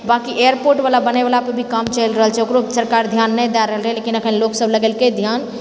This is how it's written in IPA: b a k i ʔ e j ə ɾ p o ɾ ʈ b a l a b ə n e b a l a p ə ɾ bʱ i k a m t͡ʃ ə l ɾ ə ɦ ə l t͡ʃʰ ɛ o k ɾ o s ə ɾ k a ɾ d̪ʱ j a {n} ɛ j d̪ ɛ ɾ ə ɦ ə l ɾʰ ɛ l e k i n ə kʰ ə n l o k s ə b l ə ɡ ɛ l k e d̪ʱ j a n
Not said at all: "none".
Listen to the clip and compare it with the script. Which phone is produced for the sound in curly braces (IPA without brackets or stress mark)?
nː